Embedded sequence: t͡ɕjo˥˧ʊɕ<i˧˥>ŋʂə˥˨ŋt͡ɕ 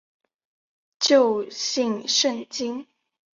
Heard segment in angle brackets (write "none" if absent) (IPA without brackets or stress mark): i˥˧